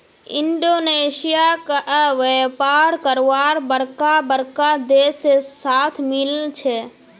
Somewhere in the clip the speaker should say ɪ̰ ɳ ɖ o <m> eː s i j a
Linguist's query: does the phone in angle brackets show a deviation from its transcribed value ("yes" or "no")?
yes